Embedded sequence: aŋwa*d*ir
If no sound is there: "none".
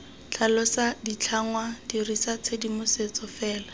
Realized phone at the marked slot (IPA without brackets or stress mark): d